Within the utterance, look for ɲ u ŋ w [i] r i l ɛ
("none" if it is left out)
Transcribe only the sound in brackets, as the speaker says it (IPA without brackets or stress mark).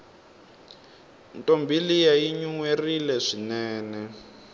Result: e